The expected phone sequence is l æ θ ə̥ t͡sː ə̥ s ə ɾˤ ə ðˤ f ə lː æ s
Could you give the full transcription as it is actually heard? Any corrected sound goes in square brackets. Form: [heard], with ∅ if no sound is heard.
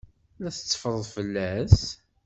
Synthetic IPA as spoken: l æ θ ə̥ t͡sː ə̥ [f] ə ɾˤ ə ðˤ f ə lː æ s